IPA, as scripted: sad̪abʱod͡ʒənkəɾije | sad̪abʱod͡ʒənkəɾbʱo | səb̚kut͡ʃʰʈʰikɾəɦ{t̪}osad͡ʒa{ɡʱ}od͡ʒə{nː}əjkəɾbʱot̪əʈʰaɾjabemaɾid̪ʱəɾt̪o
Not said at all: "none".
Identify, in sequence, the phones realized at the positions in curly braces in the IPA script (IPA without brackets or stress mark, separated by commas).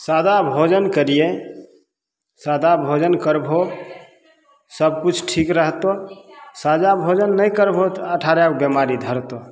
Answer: t̪, bʱ, nː